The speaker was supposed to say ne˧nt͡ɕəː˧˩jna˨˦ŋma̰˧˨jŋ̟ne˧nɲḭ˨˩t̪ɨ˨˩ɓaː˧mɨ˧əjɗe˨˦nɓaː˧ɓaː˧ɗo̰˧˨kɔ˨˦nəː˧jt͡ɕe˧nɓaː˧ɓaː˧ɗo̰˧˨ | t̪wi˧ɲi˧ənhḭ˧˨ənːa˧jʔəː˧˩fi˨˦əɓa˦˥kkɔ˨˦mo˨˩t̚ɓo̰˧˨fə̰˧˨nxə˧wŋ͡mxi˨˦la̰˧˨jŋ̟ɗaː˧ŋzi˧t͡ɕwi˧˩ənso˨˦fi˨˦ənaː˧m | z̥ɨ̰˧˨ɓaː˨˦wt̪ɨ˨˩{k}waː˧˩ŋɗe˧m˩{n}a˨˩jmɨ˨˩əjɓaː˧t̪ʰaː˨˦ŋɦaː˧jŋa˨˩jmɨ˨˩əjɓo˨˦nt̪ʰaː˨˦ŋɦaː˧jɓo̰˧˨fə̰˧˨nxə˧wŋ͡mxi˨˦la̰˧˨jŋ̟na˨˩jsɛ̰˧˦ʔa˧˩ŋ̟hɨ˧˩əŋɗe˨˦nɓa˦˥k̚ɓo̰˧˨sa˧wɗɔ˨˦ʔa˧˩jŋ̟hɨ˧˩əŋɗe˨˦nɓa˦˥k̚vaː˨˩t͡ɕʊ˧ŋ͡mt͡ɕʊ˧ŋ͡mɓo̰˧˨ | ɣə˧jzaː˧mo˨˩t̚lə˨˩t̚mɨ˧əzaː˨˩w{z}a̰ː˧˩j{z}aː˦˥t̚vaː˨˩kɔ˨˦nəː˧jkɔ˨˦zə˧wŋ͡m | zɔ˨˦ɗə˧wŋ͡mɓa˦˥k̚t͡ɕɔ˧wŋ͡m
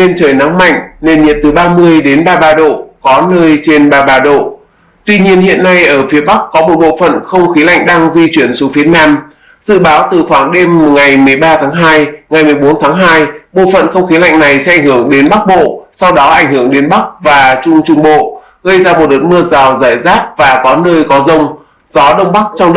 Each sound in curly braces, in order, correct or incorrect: incorrect: x, incorrect: ŋ, correct, correct

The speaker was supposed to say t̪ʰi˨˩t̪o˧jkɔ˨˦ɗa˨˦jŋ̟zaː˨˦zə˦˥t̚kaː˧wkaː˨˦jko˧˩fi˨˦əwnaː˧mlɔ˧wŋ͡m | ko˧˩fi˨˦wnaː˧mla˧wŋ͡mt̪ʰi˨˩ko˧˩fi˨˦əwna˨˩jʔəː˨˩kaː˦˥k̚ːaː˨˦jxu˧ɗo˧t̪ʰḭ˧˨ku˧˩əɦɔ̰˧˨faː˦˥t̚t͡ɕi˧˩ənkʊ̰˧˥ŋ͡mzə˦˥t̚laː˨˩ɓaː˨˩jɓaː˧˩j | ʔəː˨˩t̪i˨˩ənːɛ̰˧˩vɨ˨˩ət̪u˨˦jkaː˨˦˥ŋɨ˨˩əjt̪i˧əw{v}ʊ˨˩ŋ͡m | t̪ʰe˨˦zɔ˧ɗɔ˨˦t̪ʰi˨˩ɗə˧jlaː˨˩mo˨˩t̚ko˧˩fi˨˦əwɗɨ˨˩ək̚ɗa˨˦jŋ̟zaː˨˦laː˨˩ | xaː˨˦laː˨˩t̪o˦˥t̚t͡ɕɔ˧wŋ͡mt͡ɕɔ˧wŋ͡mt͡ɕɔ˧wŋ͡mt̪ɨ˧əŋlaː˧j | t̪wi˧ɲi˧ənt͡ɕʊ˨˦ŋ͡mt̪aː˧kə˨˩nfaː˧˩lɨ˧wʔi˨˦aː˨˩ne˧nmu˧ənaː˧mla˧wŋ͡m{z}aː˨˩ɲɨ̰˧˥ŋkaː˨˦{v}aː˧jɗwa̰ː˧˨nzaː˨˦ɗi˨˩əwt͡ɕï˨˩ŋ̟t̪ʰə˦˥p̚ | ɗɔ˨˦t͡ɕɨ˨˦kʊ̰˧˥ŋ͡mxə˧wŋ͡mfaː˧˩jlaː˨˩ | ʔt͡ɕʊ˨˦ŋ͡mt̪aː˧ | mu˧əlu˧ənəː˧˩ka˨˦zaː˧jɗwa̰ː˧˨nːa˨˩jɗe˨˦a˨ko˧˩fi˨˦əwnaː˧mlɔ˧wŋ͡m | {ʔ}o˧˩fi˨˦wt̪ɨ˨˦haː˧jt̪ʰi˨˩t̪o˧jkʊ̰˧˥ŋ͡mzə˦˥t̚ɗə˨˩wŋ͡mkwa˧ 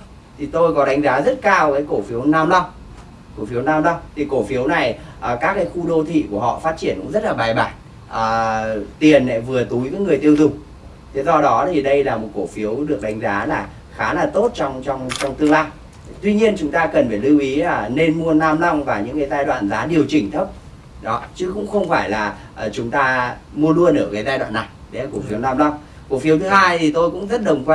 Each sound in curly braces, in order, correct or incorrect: incorrect: z, incorrect: v, incorrect: z, incorrect: k

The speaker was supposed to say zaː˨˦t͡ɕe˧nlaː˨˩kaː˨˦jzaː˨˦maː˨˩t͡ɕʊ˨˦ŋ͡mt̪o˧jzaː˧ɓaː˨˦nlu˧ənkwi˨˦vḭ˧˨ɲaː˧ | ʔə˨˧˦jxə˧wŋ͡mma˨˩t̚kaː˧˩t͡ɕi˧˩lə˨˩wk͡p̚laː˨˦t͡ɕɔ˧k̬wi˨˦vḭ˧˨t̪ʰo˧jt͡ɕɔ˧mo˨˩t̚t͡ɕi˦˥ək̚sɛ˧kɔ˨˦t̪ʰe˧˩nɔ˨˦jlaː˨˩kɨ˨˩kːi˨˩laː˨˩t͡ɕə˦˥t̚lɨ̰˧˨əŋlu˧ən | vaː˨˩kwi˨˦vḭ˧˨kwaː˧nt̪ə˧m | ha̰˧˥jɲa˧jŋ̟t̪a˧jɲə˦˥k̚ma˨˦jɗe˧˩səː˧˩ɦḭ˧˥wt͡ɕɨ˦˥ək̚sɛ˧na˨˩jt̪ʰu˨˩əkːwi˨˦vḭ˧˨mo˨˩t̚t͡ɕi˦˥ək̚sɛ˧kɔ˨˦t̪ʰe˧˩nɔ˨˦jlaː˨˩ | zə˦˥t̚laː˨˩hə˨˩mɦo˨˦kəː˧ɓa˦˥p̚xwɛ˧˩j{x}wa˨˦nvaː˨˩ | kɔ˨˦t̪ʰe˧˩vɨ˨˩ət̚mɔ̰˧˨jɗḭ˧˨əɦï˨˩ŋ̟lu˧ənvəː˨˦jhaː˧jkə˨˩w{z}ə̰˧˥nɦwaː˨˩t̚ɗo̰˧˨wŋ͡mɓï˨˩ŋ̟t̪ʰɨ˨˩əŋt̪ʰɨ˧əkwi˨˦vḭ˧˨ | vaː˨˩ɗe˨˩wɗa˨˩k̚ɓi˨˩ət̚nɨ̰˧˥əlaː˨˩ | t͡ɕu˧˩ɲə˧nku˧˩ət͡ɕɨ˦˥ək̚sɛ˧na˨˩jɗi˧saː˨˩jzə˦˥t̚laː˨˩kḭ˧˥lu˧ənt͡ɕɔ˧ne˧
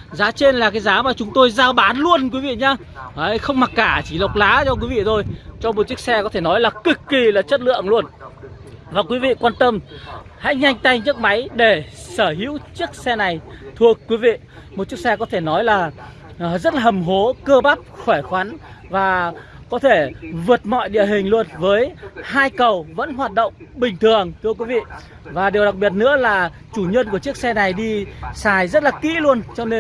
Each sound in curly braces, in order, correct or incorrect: correct, incorrect: v

